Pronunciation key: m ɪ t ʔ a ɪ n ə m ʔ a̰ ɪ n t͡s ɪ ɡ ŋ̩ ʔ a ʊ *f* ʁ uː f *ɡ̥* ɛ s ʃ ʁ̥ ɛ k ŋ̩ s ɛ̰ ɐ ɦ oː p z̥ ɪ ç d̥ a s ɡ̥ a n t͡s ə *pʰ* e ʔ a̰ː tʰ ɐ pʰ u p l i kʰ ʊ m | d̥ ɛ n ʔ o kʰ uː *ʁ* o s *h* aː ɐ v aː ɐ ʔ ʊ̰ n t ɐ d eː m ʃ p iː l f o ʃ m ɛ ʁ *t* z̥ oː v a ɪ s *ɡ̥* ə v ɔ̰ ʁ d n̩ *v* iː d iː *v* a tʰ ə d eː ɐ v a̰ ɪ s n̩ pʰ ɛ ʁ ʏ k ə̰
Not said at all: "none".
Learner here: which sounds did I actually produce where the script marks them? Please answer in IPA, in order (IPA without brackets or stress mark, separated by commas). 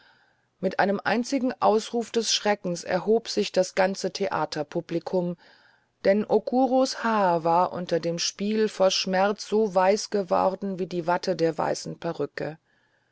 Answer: s, d̥, tʰ, ʁ, h, t͡s, ɡ̥, v, v